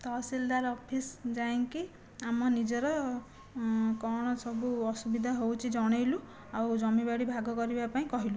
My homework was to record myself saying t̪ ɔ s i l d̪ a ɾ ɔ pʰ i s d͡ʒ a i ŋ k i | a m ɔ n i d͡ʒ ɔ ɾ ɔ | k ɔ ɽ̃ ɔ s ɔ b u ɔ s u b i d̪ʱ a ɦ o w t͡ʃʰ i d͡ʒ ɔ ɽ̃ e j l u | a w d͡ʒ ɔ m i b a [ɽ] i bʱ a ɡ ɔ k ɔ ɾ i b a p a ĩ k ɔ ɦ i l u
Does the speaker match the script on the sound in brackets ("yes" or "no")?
yes